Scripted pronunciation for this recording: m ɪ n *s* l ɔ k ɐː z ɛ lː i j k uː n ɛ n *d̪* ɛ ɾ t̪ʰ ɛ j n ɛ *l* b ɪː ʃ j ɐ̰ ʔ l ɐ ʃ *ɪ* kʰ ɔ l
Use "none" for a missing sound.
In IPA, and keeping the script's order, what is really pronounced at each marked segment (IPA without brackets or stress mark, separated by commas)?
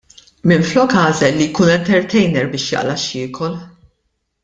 f, t̪, ɾ, ɪː